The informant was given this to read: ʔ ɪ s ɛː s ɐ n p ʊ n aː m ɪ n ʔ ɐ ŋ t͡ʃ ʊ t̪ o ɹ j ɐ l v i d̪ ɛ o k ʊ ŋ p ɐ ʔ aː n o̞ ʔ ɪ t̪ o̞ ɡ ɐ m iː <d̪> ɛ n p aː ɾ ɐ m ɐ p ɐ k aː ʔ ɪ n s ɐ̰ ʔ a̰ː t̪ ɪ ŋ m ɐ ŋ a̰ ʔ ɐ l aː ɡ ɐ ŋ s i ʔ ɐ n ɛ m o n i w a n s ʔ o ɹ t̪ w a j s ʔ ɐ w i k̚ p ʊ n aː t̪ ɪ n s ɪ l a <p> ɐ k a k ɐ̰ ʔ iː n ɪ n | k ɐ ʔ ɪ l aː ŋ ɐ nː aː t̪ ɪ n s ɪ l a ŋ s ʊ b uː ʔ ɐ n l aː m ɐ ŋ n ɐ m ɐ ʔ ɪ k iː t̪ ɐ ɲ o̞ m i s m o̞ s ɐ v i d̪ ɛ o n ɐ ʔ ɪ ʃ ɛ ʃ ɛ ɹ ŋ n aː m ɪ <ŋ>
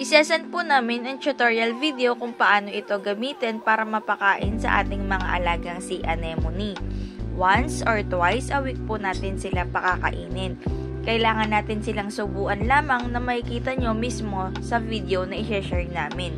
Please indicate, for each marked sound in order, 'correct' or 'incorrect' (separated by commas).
incorrect, correct, incorrect